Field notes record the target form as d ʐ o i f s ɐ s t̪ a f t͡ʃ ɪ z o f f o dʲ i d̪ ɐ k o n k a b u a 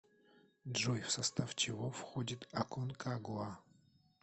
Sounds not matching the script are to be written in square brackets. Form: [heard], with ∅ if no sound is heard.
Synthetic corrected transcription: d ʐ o [j] f s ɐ s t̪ a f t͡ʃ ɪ [v] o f [x] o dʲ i [t̪] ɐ k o n k a [ɡ] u a